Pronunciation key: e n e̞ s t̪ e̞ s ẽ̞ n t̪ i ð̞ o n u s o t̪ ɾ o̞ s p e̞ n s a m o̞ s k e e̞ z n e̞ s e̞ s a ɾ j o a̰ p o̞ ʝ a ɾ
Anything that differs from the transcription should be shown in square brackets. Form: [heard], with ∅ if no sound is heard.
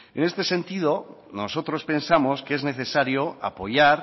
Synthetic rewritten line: e n e̞ s t̪ e̞ s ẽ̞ n t̪ i ð̞ o n [o] s o t̪ ɾ o̞ s p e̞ n s a m o̞ s k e e̞ z n e̞ [θ] e̞ s a ɾ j o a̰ p o̞ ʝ a ɾ